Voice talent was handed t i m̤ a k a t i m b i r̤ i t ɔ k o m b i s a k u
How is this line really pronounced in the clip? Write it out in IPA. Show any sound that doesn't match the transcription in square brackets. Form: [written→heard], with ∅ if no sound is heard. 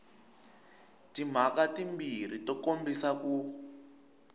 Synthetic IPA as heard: t i m̤ a k a t i m b i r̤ i t ɔ k o m b i s a k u